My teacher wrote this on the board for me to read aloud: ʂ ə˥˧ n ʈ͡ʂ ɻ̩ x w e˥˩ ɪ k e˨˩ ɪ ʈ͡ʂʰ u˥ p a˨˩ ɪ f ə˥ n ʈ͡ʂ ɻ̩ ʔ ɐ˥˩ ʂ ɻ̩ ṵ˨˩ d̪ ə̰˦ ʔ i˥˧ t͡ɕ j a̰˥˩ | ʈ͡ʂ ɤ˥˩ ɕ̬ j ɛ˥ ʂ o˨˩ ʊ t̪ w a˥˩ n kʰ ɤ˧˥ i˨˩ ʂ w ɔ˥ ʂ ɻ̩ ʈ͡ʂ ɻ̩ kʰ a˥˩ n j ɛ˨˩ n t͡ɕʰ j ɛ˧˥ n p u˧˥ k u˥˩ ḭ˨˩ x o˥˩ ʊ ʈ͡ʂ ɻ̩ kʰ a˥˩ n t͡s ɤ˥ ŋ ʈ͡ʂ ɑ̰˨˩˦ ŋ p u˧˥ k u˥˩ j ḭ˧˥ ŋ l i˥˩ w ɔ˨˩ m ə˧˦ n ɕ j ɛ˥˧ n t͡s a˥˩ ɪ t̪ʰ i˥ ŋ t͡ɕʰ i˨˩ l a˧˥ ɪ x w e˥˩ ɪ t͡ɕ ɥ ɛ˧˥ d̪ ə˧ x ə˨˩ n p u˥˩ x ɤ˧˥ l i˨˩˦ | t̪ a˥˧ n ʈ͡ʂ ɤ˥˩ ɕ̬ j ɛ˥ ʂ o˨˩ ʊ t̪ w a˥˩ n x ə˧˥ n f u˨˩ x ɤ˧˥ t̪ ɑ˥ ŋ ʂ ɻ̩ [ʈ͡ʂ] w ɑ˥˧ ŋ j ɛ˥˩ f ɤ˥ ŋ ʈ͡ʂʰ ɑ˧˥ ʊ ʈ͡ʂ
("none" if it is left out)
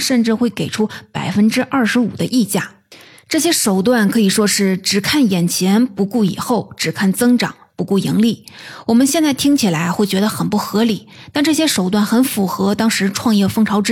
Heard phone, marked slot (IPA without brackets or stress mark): ʈ͡ʂʰ